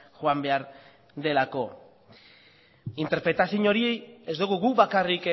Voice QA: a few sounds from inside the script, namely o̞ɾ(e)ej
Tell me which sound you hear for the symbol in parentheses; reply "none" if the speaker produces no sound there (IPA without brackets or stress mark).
i